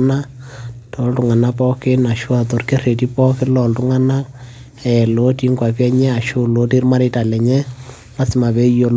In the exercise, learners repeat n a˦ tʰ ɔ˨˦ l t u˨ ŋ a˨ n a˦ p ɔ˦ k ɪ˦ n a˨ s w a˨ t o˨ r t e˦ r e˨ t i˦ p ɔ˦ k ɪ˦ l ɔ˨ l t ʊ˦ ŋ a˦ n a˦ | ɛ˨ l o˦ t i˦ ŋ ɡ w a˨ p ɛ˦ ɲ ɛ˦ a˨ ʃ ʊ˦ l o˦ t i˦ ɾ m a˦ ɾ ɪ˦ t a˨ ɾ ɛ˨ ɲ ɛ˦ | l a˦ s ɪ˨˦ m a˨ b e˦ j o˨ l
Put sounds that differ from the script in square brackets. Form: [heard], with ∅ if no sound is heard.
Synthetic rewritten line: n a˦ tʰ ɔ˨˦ l t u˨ ŋ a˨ n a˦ p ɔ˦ k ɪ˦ n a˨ [ʃ] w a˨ t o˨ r [k] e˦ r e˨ t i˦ p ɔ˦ k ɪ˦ l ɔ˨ l t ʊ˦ ŋ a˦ n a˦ | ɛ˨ l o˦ t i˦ ŋ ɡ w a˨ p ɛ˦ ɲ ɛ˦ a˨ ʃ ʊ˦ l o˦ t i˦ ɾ m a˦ ɾ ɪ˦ t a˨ [l] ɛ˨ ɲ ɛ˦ | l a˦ s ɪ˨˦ m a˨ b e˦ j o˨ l